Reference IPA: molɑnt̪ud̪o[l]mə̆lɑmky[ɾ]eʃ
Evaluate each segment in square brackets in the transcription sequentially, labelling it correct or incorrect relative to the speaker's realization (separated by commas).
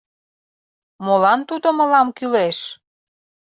incorrect, incorrect